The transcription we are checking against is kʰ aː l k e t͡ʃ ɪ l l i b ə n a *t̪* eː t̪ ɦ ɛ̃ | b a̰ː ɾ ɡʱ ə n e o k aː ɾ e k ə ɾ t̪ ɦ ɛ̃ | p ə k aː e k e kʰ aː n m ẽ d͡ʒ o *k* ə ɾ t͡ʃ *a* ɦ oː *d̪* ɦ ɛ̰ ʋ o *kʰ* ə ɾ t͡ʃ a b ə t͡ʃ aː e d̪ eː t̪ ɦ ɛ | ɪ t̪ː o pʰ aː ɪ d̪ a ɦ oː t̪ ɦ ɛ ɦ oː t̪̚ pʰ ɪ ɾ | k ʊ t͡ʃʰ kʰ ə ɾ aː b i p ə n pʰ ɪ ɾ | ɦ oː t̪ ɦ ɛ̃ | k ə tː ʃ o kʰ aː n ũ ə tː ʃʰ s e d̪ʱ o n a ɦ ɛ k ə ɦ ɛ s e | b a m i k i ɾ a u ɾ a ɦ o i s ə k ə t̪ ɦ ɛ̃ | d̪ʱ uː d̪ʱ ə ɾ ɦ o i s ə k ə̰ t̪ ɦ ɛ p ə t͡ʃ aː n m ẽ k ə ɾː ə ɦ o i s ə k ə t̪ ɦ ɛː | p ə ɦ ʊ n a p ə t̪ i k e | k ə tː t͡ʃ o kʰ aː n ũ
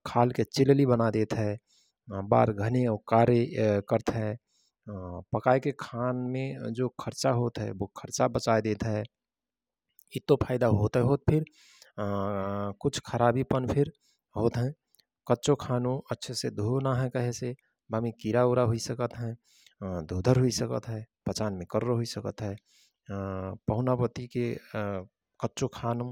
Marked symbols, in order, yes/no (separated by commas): no, no, yes, no, yes